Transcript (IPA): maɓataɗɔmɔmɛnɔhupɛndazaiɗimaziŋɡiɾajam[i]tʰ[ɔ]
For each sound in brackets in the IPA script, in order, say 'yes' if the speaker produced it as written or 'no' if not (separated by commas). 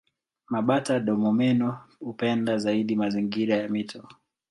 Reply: yes, yes